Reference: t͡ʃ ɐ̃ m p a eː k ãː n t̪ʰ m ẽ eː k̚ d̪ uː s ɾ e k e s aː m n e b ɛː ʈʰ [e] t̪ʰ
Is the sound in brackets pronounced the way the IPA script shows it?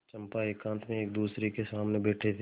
yes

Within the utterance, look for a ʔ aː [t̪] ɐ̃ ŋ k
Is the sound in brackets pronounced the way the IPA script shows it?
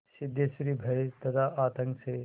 yes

